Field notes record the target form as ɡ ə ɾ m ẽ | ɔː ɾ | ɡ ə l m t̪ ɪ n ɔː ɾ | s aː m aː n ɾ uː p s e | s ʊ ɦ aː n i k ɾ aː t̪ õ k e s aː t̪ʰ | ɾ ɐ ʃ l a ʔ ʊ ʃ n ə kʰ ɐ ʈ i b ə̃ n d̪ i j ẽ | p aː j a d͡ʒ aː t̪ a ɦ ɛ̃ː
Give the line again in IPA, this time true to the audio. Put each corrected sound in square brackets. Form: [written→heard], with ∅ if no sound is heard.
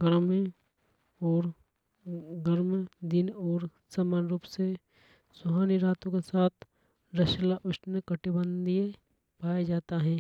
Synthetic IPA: ɡ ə ɾ m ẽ | ɔː ɾ | ɡ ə [l→ɾ] m [t̪→d̪] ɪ n ɔː ɾ | s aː m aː n ɾ uː p s e | s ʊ ɦ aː n i [k→∅] ɾ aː t̪ õ k e s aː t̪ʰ | ɾ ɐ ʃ l a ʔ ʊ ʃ n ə [kʰ→k] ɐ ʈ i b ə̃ n d̪ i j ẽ | p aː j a d͡ʒ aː t̪ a ɦ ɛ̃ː